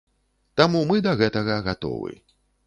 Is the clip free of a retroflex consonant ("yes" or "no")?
yes